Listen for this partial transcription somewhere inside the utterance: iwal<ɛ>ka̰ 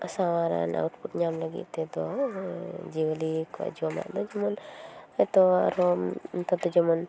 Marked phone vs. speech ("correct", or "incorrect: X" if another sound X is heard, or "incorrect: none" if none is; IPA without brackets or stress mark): incorrect: i